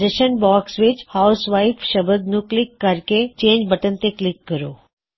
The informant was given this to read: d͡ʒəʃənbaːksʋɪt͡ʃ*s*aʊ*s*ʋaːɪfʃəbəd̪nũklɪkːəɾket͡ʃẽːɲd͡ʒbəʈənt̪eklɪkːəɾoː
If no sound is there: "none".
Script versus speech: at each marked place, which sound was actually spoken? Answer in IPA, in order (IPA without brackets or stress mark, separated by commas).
h, s